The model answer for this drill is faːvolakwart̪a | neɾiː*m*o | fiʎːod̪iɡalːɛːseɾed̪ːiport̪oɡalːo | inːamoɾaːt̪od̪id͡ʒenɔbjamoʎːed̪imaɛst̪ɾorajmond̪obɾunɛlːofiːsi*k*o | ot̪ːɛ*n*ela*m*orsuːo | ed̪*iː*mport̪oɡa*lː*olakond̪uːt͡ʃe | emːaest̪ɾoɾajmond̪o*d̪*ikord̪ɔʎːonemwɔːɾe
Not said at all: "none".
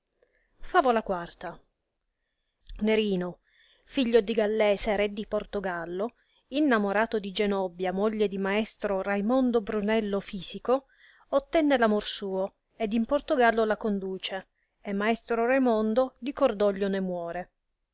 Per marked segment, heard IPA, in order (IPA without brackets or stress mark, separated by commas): n, k, nː, m, i, lː, d̪